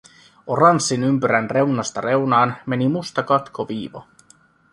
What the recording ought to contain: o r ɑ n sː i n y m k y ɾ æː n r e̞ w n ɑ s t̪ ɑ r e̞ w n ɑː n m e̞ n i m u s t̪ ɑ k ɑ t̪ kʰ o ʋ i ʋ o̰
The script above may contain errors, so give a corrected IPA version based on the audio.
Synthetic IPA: o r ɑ n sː i n y m p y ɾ æ n r e̞ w n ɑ s t̪ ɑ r e̞ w n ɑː n m e̞ n i m u s t̪ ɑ k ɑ t̪ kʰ o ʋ iː ʋ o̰